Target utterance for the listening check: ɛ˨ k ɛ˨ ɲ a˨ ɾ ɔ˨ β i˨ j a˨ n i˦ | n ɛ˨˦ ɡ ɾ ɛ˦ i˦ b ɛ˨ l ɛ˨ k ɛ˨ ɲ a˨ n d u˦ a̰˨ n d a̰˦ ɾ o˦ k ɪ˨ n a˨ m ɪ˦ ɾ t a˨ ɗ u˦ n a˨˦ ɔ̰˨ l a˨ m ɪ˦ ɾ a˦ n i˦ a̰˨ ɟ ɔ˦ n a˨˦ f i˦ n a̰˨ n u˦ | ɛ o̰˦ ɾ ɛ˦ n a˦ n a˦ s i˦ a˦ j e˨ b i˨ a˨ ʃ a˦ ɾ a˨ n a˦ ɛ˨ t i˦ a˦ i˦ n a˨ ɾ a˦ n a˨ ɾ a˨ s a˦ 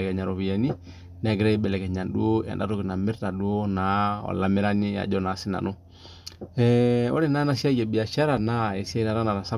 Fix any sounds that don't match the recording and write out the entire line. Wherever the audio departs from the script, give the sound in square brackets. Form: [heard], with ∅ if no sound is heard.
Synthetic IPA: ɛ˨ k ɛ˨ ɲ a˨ ɾ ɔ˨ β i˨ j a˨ n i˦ | n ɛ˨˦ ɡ ɾ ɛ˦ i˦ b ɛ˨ l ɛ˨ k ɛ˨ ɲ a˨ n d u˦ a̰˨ n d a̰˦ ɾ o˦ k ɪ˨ n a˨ m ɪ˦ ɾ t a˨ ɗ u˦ n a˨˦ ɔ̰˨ l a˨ m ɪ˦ ɾ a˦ n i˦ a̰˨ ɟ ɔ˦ n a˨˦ [s] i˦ n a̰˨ n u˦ | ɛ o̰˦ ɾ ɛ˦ n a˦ n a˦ s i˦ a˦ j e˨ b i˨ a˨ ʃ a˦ ɾ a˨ n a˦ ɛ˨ [s] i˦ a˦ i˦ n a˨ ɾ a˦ n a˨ ɾ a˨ s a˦

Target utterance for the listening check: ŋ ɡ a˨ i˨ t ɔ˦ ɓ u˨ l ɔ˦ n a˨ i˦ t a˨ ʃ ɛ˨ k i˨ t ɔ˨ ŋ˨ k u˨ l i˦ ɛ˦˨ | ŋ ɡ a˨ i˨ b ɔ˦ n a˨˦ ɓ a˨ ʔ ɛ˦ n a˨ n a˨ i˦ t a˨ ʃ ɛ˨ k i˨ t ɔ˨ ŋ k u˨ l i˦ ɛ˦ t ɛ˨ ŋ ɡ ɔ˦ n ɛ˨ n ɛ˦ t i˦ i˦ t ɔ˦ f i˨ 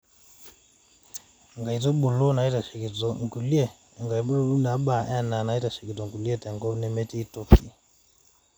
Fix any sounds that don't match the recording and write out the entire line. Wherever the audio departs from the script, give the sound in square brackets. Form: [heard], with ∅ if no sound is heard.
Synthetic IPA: ŋ ɡ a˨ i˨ t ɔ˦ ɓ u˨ l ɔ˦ n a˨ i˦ t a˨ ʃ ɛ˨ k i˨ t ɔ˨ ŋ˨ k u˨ l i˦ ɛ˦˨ | ŋ ɡ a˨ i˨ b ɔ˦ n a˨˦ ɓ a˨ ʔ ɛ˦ n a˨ n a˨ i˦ t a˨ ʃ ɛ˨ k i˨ t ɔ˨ ŋ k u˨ l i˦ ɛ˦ t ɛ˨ ŋ ɡ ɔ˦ n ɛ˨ [m] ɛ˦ t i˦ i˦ t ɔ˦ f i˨

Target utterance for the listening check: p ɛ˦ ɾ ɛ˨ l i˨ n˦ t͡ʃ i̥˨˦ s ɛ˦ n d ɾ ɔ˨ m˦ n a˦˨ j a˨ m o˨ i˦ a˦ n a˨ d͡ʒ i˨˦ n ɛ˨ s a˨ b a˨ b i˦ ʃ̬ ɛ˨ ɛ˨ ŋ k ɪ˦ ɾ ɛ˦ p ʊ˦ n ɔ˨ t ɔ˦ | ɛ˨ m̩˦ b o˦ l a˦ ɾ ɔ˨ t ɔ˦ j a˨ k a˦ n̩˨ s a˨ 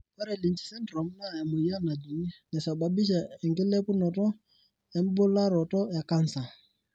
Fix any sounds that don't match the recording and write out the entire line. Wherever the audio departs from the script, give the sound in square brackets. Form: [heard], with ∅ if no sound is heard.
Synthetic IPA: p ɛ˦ ɾ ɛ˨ l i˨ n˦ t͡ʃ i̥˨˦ s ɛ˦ n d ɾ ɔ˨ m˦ n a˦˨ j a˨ m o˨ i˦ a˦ n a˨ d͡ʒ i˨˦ n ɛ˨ s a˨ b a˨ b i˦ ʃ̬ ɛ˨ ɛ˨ ŋ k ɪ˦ [l] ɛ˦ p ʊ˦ n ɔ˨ t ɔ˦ | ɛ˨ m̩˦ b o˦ l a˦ ɾ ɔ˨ t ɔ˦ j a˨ k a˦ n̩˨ s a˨

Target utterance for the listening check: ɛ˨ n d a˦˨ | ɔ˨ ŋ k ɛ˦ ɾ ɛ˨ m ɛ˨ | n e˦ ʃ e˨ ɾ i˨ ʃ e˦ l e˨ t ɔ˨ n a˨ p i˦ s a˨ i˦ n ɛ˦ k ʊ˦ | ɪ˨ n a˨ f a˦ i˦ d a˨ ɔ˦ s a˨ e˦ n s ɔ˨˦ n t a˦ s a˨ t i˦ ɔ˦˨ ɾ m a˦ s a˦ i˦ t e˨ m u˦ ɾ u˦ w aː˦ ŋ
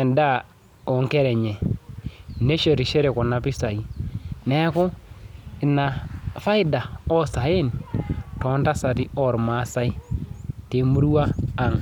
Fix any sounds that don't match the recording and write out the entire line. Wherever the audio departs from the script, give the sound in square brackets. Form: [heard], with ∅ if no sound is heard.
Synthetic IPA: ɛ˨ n d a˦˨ | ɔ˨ ŋ k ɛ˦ ɾ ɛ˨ [ɲ] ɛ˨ | n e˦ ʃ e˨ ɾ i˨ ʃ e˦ [ɾ] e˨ [k] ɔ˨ n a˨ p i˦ s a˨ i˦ n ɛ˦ k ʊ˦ | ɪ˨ n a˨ f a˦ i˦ d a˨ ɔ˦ s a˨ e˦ n [t] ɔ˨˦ n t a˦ s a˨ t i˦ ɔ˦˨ ɾ m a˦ s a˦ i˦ t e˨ m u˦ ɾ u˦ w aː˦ ŋ

